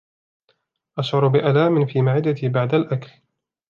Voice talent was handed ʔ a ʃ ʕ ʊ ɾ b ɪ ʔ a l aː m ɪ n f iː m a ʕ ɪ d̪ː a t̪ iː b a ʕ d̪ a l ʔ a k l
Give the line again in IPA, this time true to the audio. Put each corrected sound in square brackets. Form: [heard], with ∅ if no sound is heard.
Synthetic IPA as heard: ʔ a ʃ ʕ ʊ ɾ b ɪ ʔ a l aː m ɪ n f iː m a ʕ ɪ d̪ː a t̪ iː b a ʕ d̪ a l ʔ a k l